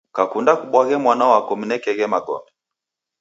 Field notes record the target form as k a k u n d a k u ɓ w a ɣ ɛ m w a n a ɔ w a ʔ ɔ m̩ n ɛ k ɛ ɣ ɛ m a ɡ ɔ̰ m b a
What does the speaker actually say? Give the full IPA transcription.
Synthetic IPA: k a k u n d a k u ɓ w a ɣ ɛ m w a n a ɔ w a k ɔ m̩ n ɛ k ɛ ɣ ɛ m a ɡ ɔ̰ m b ɛ